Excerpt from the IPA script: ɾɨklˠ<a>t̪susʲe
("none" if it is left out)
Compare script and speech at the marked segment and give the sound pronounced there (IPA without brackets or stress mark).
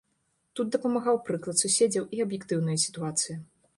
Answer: ɐ